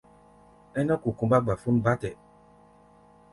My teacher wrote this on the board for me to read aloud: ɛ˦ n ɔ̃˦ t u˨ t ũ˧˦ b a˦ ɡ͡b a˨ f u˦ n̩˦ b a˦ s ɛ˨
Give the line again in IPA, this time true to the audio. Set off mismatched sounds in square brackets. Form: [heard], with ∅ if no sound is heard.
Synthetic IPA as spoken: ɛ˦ n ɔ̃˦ [k] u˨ [k] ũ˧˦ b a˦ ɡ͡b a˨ f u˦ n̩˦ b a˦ [t] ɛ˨